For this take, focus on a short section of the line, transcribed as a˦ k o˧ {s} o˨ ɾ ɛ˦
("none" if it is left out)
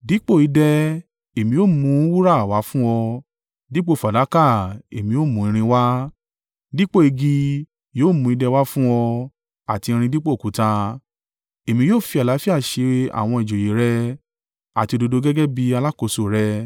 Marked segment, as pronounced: s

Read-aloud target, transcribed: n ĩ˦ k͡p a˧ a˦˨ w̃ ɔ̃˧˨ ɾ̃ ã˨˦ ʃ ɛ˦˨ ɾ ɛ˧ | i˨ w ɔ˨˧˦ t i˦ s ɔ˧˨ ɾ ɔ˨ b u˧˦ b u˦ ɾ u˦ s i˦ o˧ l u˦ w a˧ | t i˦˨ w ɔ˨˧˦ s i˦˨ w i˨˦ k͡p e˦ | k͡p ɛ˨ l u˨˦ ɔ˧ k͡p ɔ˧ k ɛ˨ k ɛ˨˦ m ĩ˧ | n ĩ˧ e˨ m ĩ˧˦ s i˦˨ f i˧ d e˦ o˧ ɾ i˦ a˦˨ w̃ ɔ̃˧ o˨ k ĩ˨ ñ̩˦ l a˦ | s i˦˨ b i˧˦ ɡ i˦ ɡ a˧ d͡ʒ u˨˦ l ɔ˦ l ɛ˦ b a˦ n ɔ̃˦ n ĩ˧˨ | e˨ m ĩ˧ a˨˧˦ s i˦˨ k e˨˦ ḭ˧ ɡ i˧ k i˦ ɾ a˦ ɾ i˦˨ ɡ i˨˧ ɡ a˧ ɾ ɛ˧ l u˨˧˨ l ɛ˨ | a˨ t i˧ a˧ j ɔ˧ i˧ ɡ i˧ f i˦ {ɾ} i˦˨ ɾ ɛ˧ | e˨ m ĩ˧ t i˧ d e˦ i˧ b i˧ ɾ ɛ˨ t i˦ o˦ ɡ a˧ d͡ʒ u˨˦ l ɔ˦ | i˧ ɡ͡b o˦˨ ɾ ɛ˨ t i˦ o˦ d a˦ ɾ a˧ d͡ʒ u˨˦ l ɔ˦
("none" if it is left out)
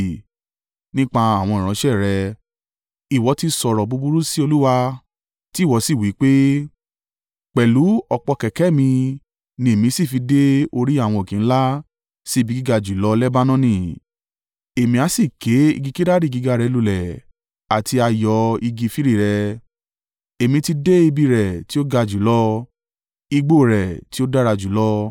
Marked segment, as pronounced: ɾ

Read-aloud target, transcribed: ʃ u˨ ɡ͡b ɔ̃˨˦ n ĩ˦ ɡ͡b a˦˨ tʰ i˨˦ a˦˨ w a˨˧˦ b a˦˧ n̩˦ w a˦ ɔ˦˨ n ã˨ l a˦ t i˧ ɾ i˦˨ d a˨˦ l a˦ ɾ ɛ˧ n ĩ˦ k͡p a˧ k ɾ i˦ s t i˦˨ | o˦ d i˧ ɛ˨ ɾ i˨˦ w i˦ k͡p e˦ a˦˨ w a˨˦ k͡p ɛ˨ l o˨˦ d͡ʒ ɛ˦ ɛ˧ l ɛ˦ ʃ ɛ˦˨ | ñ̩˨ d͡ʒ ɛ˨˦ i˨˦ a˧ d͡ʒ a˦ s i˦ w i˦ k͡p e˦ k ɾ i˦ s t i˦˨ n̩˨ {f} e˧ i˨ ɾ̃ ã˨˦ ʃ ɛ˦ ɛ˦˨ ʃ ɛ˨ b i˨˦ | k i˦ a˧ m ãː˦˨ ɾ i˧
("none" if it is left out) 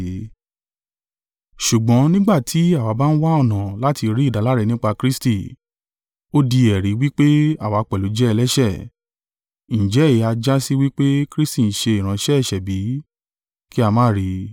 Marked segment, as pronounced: ʃ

